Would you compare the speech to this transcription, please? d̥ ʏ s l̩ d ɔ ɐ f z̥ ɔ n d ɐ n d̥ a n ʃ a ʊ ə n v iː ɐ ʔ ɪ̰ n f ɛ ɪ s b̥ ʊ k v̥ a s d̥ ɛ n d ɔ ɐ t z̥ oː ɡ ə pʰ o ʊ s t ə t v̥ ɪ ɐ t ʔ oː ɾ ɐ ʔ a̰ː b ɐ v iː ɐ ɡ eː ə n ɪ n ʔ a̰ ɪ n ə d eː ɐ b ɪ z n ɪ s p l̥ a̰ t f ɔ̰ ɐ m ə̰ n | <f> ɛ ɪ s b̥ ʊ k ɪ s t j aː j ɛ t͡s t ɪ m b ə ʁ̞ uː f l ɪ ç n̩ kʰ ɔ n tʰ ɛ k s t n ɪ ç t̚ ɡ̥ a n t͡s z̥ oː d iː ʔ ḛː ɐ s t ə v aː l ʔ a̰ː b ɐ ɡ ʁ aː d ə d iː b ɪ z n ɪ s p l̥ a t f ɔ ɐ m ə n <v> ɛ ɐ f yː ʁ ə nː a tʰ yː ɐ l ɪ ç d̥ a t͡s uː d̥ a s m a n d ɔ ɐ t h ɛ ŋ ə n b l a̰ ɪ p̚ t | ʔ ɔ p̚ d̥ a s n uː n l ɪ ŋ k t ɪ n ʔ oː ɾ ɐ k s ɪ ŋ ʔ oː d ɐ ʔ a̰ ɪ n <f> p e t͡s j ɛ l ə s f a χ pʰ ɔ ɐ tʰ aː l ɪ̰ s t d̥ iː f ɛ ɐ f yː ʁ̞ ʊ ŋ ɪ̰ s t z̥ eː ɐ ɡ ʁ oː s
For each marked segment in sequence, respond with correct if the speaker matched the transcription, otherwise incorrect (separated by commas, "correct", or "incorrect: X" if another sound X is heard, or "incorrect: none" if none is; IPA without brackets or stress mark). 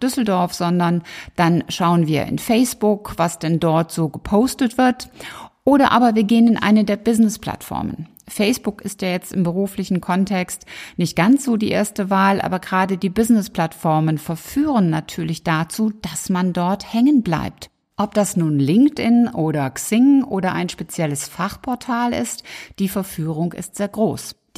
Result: correct, incorrect: f, incorrect: ʃ